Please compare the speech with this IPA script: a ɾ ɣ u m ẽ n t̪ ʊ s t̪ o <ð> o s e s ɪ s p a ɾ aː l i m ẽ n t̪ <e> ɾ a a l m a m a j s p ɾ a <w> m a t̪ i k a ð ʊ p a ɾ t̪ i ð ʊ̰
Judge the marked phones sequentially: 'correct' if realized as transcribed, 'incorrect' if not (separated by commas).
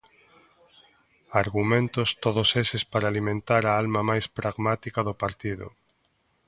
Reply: correct, incorrect, incorrect